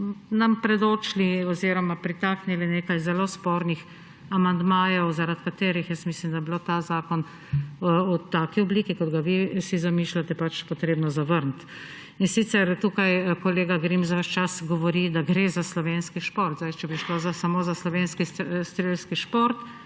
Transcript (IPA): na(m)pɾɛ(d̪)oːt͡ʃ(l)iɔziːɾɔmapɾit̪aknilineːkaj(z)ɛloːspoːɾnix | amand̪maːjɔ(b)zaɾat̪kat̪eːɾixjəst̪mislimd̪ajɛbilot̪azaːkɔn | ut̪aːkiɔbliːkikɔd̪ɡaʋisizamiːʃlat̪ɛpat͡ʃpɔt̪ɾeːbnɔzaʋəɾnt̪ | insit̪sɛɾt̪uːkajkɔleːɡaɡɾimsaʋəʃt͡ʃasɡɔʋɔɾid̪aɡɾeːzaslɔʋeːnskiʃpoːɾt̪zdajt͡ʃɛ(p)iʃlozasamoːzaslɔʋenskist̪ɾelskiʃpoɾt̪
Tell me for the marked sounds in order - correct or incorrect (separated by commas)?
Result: correct, correct, correct, correct, incorrect, incorrect